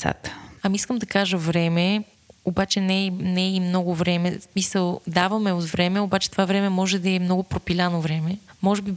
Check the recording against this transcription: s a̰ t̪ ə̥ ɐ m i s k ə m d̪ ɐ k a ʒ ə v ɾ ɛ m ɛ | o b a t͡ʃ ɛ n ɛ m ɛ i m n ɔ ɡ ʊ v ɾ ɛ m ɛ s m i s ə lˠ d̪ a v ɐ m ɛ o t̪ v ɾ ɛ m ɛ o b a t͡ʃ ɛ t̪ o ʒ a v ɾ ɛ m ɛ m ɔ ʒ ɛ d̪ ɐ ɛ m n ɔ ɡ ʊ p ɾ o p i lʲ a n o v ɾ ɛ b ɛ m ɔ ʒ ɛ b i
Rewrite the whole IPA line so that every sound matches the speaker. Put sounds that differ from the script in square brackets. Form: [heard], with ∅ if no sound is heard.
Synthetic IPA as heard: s a̰ t̪ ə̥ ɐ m i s k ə m d̪ ɐ k a ʒ ə v ɾ ɛ m ɛ | o b a t͡ʃ ɛ n ɛ [n] ɛ i m n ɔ ɡ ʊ v ɾ ɛ m ɛ s m i s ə lˠ d̪ a v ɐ m ɛ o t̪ v ɾ ɛ m ɛ o b a t͡ʃ ɛ t̪ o [v] a v ɾ ɛ m ɛ m ɔ ʒ ɛ d̪ ɐ ɛ m n ɔ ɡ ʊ p ɾ o p i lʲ a n o v ɾ ɛ [m] ɛ m ɔ ʒ ɛ b i